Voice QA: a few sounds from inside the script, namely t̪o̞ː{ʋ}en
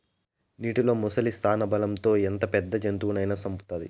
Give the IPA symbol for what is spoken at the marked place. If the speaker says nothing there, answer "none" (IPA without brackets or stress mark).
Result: none